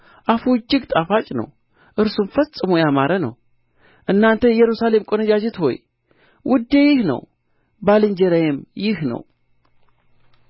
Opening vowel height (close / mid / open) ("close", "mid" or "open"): open